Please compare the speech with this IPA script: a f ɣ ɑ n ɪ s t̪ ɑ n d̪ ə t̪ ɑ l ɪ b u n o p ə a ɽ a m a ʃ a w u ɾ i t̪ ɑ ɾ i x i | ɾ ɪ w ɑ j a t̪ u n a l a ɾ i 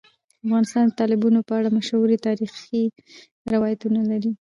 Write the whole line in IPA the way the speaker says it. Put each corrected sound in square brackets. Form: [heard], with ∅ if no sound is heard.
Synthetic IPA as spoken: a f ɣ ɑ n ɪ s t̪ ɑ n d̪ ə t̪ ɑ l ɪ b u n o p ə a ɽ a m a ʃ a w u ɾ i t̪ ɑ ɾ i x i | ɾ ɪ w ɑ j a t̪ u n a l a ɾ i